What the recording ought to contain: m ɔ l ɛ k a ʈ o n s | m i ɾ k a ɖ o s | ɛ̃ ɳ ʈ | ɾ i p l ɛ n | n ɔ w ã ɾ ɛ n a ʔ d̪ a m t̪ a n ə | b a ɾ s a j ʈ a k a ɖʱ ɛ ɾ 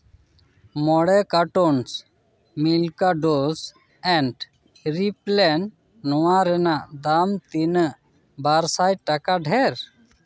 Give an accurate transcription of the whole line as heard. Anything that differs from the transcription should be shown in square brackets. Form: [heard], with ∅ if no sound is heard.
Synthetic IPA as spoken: m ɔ [ɽ] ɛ k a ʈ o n s | m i [l] k a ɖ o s | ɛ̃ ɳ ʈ | ɾ i p l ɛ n | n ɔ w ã ɾ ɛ n a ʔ d̪ a m t̪ [i] n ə | b a ɾ s a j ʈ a k a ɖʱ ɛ ɾ

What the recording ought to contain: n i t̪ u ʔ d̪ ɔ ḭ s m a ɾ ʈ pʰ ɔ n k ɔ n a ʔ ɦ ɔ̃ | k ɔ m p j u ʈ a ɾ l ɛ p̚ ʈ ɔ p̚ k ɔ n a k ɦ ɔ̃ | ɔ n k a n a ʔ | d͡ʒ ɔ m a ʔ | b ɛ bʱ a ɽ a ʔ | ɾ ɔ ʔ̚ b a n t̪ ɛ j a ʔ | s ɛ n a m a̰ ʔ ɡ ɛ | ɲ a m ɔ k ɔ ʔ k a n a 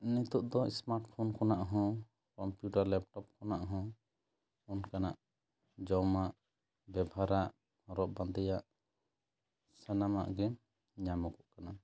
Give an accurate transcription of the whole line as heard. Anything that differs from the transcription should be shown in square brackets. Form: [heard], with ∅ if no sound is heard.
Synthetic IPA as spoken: n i t̪ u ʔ d̪ ɔ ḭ s m a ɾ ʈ pʰ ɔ n k ɔ n a ʔ ɦ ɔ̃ | k ɔ m p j u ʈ a ɾ l ɛ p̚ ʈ ɔ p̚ k ɔ n a [ʔ] ɦ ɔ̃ | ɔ n k a n a ʔ | d͡ʒ ɔ m a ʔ | b ɛ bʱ a [ɾ] a ʔ | ɾ ɔ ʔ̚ b a n [d̪] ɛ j a ʔ | s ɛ n a m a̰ ʔ ɡ ɛ | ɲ a m ɔ k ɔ ʔ k a n a

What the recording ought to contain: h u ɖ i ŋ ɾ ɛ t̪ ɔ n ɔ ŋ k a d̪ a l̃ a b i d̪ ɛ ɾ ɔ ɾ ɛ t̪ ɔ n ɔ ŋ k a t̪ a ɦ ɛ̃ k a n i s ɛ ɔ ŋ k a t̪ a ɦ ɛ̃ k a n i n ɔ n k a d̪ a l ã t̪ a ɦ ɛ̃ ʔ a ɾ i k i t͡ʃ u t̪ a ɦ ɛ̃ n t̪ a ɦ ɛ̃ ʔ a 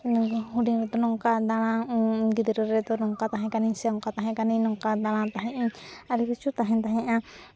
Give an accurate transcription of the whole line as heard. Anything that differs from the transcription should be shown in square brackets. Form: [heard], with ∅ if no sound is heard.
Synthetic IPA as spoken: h u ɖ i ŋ ɾ ɛ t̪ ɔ n ɔ ŋ k a d̪ a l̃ a [ɡ] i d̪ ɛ ɾ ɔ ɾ ɛ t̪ ɔ n ɔ ŋ k a t̪ a ɦ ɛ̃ k a n i s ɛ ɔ ŋ k a t̪ a ɦ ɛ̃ k a n i n ɔ [ŋ] k a d̪ a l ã t̪ a ɦ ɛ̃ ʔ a ɾ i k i t͡ʃ u t̪ a ɦ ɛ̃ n t̪ a ɦ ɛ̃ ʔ a

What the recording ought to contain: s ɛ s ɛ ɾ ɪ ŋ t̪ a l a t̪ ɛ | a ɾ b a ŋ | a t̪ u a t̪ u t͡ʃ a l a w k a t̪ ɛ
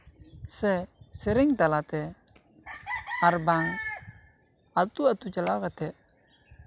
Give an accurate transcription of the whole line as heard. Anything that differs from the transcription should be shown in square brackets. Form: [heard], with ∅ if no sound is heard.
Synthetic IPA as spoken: s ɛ s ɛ ɾ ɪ ŋ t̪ a l a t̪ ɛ | a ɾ b a ŋ | a t̪ u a t̪ u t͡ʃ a l a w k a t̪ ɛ

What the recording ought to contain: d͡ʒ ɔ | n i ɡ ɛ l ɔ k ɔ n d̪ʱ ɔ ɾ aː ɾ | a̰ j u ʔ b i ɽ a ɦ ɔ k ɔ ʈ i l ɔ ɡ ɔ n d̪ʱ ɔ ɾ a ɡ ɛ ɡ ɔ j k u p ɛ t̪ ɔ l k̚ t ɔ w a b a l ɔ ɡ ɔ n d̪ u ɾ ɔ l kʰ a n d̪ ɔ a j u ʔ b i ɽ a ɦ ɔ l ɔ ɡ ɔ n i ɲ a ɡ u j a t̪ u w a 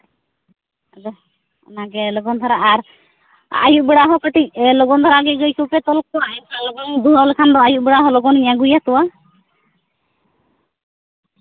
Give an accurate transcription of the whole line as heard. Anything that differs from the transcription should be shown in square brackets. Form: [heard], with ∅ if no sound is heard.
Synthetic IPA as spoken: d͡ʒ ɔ | n [a] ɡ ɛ l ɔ [ɡ] ɔ n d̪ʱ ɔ ɾ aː ɾ | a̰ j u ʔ b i ɽ a ɦ ɔ k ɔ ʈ i l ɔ ɡ ɔ n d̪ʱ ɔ ɾ a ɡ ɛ ɡ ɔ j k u p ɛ t̪ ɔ l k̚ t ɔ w a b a l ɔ ɡ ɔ n d̪ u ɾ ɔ l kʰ a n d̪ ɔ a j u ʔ b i ɽ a ɦ ɔ l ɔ ɡ ɔ n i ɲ a ɡ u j a t̪ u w a

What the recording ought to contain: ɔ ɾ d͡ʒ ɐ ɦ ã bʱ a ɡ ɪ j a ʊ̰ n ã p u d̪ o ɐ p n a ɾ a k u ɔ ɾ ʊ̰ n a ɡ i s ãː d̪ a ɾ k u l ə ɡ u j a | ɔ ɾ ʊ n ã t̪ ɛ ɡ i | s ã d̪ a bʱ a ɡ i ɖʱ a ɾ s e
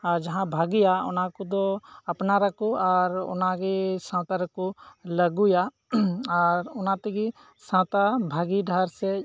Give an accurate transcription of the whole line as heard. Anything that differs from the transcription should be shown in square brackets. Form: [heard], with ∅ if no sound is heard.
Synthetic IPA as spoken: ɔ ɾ d͡ʒ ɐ ɦ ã bʱ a ɡ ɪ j a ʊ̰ n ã [k] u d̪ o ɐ p n a ɾ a k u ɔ ɾ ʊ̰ n a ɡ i s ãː [t̪] a ɾ k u l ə ɡ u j a | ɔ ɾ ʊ n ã t̪ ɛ ɡ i | s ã [t̪] a bʱ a ɡ i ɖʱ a ɾ s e

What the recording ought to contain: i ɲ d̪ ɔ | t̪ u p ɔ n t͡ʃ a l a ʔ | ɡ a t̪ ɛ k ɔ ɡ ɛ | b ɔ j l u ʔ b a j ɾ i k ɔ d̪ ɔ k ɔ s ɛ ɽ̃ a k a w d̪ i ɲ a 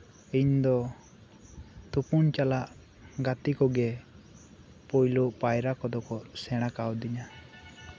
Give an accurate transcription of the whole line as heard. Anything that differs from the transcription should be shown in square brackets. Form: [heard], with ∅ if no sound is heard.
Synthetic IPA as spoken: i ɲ d̪ ɔ | t̪ u p [u] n t͡ʃ a l a ʔ | ɡ a t̪ [i] k ɔ ɡ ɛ | [p] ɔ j l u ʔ [p] a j ɾ [a] k ɔ d̪ ɔ k ɔ s ɛ ɽ̃ a k a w d̪ i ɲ a

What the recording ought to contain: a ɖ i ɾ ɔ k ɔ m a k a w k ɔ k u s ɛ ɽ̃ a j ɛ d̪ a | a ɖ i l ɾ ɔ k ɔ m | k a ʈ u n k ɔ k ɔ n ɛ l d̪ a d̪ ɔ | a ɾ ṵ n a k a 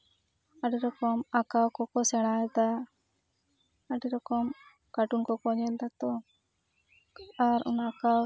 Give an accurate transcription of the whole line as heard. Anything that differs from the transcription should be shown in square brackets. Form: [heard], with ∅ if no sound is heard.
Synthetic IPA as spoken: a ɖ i ɾ ɔ k ɔ m a k a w k ɔ k [ɔ] s ɛ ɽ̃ a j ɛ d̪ a | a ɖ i [∅] ɾ ɔ k ɔ m | k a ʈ u n k ɔ k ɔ [ɲ] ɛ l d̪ a [t̪] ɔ | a ɾ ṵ n a k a

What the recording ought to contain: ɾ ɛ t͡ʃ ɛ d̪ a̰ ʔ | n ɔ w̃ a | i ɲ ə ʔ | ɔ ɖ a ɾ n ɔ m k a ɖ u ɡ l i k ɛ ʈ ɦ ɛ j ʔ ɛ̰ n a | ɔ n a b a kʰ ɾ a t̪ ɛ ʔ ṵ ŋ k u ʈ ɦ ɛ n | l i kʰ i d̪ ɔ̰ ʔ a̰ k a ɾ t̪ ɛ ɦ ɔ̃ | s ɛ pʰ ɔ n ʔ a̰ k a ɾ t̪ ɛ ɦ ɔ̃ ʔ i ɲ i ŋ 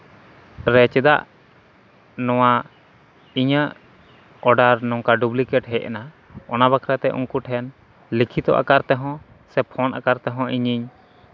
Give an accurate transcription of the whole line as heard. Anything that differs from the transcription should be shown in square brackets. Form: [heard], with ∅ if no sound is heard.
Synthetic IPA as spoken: ɾ ɛ t͡ʃ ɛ d̪ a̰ ʔ | n ɔ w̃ a | i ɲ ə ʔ | ɔ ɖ a ɾ n ɔ [ŋ] k a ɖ u [b] l i k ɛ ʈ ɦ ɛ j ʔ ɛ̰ n a | ɔ n a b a kʰ ɾ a t̪ ɛ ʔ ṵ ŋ k u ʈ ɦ ɛ n | l i kʰ i [t̪] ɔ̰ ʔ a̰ k a ɾ t̪ ɛ ɦ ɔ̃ | s ɛ pʰ ɔ n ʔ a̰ k a ɾ t̪ ɛ ɦ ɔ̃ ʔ i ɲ i [ɲ]

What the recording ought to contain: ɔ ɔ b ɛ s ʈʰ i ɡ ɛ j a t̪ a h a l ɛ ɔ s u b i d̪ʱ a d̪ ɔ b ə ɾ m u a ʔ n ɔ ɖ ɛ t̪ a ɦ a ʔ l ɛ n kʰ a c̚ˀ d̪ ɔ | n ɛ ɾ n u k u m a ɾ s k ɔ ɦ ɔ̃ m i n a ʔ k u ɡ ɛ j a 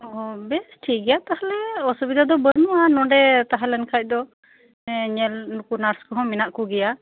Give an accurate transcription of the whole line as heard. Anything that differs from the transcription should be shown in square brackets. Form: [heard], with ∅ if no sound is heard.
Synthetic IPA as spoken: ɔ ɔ b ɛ s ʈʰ i ɡ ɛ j a t̪ a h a l ɛ ɔ s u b i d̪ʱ a d̪ ɔ b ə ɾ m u a [∅] n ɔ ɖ ɛ t̪ a ɦ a [∅] l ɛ n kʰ a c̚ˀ d̪ ɔ | [ɲ] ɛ [l] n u k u [n] a ɾ s k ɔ ɦ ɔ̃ m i n a ʔ k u ɡ ɛ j a

